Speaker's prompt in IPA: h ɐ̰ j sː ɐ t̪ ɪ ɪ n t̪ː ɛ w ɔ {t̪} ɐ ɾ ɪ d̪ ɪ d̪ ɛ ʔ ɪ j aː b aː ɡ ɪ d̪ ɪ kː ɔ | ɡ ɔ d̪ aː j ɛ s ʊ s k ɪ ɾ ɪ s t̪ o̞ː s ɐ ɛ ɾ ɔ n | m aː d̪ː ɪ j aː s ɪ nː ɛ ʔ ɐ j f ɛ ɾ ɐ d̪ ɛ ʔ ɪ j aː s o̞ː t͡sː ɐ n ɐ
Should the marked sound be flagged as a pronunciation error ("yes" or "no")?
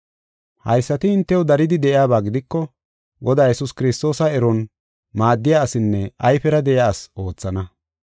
yes